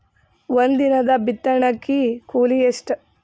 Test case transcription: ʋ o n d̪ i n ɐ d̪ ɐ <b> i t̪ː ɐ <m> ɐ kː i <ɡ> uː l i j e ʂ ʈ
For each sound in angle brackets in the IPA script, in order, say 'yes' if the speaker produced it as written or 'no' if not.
yes, no, no

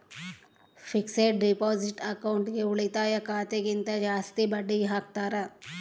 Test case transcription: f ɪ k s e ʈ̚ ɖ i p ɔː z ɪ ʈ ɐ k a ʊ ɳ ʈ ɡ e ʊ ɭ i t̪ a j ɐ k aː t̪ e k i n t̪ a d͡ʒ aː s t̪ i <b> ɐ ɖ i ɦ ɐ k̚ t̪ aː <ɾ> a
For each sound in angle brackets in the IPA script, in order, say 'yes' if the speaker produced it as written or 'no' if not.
yes, yes

